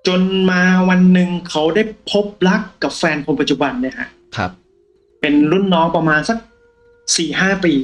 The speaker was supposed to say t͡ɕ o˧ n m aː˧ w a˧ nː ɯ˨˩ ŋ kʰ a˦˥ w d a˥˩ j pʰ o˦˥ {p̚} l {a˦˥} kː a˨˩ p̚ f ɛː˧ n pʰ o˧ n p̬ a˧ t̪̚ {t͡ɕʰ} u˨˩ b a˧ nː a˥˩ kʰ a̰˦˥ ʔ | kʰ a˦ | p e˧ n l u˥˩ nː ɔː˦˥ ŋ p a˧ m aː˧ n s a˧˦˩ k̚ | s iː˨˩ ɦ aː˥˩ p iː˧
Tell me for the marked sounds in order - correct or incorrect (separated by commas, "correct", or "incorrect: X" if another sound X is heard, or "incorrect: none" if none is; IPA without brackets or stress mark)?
correct, correct, incorrect: t͡ɕ